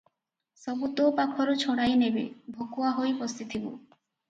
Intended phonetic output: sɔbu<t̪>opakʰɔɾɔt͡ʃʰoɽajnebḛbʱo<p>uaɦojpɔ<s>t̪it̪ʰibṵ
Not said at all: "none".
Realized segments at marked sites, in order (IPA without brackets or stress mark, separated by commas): t̪, k, s